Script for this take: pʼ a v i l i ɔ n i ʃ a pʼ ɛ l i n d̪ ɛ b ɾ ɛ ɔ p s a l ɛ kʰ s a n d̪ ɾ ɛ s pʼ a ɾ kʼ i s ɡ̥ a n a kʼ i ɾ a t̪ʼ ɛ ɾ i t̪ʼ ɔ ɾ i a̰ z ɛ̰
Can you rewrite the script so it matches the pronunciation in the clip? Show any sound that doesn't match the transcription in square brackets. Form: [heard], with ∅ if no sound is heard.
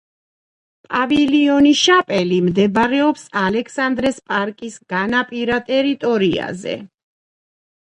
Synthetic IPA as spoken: pʼ a v i l i ɔ n i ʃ a pʼ ɛ l i [m] d̪ ɛ b ɾ ɛ ɔ p s a l ɛ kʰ s a n d̪ ɾ ɛ s pʼ a ɾ kʼ i s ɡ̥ a n a [pʼ] i ɾ a t̪ʼ ɛ ɾ i t̪ʼ ɔ ɾ i a̰ z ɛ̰